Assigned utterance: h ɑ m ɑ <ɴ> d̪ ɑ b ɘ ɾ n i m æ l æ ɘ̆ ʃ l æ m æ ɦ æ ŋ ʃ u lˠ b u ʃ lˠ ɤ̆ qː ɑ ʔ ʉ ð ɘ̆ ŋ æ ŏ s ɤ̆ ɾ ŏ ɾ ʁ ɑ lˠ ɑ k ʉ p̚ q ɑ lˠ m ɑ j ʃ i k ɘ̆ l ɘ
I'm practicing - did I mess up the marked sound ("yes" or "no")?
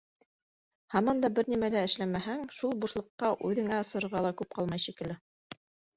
yes